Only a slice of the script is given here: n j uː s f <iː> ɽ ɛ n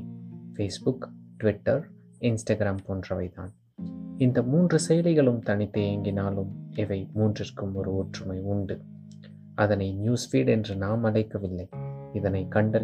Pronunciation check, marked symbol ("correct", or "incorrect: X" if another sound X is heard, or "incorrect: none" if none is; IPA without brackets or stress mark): correct